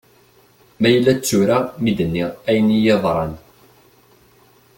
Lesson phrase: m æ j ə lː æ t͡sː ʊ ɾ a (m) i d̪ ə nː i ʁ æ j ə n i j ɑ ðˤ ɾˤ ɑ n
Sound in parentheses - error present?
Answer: no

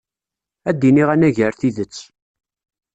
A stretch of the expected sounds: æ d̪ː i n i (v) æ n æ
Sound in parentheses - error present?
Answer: yes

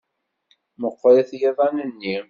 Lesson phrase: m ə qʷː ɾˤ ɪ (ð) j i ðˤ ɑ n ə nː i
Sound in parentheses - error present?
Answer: yes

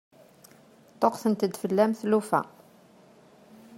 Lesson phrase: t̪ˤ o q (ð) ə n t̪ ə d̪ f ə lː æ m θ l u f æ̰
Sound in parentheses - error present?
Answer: yes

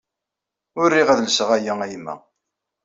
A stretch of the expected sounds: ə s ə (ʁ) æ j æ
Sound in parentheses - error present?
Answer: no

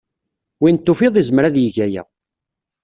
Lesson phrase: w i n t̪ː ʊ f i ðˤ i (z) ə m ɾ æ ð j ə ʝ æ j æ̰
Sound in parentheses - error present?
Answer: no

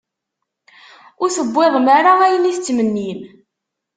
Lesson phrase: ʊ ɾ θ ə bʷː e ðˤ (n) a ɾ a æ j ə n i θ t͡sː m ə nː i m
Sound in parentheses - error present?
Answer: yes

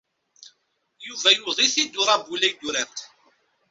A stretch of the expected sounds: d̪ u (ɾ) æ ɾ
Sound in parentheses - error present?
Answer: no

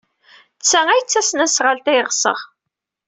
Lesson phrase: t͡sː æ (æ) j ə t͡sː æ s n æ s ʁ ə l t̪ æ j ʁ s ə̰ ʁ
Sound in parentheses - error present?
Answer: no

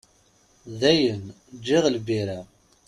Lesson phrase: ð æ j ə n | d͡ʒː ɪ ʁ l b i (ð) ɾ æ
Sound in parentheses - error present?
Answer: yes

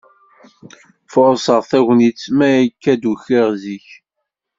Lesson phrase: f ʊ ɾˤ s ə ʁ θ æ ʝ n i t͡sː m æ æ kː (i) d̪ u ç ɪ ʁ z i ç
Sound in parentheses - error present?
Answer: yes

